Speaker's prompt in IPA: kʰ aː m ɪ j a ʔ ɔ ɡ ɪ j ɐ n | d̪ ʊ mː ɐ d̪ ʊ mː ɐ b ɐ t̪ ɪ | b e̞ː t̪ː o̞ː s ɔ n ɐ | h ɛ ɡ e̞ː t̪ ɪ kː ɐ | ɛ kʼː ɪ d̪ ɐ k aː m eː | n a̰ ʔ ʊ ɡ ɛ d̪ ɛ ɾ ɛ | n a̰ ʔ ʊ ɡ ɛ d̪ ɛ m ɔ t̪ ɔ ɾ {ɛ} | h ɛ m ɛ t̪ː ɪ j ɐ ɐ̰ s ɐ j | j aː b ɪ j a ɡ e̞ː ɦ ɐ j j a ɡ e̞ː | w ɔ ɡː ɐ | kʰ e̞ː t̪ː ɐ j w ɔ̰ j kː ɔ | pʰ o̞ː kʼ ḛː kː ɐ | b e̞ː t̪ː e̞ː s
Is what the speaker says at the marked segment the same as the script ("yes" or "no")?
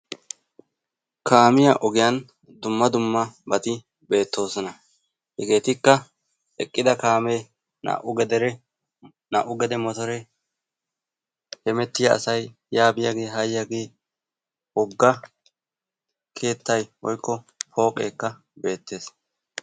yes